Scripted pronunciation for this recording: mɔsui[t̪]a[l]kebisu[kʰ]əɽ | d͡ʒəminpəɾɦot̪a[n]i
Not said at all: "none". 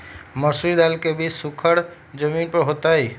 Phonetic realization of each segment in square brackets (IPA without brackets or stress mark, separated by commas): d̪, l, kʰ, none